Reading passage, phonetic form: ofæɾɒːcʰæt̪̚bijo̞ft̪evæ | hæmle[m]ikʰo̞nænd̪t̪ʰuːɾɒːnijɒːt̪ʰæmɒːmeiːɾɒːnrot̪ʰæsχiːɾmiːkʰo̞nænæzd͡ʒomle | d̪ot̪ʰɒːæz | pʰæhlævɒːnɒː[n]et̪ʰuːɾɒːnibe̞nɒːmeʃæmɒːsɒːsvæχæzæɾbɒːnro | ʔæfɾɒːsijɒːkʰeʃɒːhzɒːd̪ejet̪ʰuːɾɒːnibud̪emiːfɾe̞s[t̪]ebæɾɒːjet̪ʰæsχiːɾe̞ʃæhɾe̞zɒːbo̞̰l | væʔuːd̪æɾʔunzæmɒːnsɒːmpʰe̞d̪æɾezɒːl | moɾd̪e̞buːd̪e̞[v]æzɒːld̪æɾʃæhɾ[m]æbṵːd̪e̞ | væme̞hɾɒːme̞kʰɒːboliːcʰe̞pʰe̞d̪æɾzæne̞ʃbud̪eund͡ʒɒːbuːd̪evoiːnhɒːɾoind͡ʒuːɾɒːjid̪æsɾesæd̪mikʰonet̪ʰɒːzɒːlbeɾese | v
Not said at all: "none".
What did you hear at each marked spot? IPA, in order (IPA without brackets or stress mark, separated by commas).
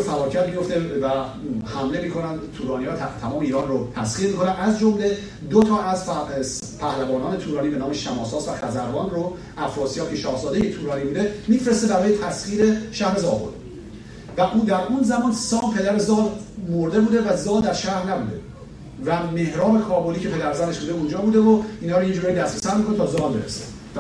m, n, t̪, v, n